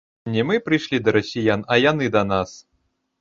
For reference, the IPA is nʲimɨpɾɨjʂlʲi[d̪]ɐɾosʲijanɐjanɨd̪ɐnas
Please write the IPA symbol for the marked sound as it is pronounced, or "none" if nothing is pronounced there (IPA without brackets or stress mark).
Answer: d̪